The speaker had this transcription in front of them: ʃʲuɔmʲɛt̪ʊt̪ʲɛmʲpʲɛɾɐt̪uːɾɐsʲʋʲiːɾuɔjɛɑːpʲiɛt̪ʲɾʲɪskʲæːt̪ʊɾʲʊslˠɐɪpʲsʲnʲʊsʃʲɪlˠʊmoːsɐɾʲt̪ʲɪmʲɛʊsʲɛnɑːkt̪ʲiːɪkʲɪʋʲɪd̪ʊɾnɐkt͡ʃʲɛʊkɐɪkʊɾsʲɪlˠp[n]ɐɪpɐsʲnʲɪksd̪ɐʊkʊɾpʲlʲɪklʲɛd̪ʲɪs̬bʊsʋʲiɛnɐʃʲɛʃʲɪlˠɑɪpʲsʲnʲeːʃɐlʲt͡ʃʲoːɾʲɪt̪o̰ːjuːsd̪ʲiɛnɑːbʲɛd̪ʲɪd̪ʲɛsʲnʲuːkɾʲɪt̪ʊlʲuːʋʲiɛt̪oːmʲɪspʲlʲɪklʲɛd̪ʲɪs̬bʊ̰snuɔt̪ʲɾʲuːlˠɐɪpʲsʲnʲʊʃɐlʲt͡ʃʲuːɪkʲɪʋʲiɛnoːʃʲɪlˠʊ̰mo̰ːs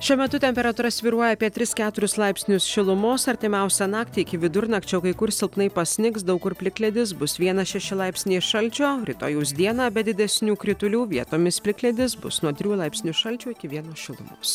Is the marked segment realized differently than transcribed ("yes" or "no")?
no